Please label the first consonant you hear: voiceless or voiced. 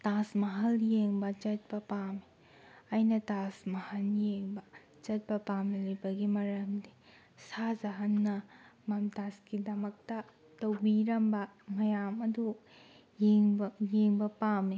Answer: voiceless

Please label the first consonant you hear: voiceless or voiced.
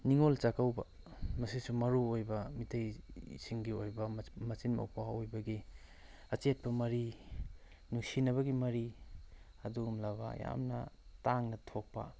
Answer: voiced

